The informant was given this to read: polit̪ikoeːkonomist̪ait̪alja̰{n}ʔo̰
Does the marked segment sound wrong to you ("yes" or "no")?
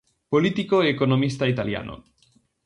no